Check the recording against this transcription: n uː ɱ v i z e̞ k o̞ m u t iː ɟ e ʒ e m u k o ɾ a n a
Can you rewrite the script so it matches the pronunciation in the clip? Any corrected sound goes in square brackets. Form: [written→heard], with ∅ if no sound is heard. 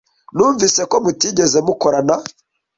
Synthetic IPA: n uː ɱ v i [z→s] e̞ k o̞ m u t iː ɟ e [ʒ→z] e m u k o ɾ a n a